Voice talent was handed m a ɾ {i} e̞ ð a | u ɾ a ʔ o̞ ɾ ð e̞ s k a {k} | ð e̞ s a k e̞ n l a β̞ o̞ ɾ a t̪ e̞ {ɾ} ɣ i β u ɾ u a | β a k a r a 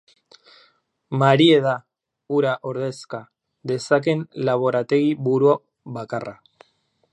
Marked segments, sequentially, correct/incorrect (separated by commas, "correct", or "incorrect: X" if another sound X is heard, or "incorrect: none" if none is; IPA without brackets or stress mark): correct, incorrect: none, incorrect: none